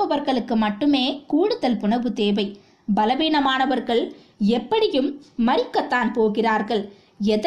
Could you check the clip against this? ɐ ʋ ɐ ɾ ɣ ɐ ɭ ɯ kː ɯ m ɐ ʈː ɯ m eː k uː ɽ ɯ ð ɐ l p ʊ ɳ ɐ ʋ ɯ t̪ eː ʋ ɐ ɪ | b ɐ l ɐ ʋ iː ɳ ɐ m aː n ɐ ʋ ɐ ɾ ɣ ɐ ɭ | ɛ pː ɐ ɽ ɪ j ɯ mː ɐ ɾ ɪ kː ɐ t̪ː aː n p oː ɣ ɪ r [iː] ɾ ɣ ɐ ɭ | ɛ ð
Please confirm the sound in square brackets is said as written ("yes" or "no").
no